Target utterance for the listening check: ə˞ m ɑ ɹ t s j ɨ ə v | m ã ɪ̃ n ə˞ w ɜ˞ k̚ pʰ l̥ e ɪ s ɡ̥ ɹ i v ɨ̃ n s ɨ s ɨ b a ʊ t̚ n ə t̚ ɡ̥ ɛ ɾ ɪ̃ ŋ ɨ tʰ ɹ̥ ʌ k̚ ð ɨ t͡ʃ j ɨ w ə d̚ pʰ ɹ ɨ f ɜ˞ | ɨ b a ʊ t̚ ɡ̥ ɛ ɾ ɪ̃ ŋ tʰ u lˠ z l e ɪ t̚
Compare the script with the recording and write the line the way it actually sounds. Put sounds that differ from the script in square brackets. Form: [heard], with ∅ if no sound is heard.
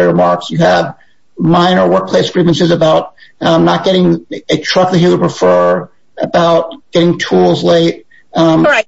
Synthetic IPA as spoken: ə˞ m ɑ ɹ [k] s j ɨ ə v | m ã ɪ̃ n ə˞ w ɜ˞ k̚ pʰ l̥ e ɪ s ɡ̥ ɹ i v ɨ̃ n s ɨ [z] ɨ b a ʊ t̚ n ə t̚ ɡ̥ ɛ ɾ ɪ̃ ŋ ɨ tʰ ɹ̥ ʌ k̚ ð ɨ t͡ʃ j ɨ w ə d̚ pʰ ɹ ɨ f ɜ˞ | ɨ b a ʊ t̚ ɡ̥ ɛ ɾ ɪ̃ ŋ tʰ u lˠ z l e ɪ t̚

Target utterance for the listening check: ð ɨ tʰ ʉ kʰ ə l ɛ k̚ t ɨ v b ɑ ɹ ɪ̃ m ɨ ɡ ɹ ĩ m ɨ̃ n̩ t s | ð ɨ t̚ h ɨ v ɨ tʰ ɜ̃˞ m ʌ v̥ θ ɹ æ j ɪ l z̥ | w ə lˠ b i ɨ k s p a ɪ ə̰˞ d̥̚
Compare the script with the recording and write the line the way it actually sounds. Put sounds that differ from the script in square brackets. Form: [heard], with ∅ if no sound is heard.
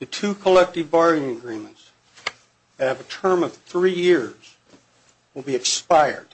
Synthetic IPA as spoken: ð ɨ tʰ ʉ kʰ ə l ɛ k̚ t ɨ v b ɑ ɹ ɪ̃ [ŋ] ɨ ɡ ɹ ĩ m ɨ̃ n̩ t s | ð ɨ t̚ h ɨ v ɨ tʰ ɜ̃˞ m ʌ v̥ θ ɹ [i] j ɪ [ɹ] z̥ | w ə lˠ b i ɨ k s p a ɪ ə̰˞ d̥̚

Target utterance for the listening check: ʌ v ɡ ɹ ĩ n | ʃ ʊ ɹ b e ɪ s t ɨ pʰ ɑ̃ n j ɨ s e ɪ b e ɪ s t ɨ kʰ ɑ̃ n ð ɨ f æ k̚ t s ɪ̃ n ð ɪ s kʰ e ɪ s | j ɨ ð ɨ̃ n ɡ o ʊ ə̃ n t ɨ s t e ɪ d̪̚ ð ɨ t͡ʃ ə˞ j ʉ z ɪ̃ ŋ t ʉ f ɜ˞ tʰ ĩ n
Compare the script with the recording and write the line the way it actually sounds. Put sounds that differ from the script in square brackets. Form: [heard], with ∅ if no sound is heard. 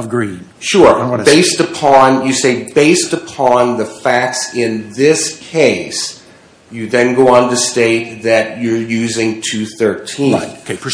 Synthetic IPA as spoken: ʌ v ɡ ɹ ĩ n | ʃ ʊ ɹ b e ɪ s t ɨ pʰ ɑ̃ n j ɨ s e ɪ b e ɪ s t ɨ [pʰ] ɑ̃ n ð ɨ f æ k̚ t s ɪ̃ n ð ɪ s kʰ e ɪ s | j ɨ ð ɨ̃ n ɡ o ʊ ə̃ n t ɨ s t e ɪ [t̪̚] ð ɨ t͡ʃ ə˞ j ʉ z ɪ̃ ŋ [tʰ] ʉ [θ] ɜ˞ tʰ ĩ n

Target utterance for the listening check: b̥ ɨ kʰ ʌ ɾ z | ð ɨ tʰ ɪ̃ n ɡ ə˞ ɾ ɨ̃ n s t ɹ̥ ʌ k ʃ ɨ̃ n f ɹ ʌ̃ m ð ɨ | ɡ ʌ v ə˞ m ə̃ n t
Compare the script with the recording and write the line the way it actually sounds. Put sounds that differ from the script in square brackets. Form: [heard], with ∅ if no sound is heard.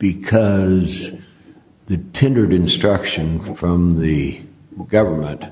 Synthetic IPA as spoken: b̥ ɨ kʰ ʌ [∅] z | ð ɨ tʰ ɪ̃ n [d] ə˞ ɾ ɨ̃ n s t ɹ̥ ʌ k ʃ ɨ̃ n f ɹ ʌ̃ m ð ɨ | ɡ ʌ v ə˞ m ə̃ n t

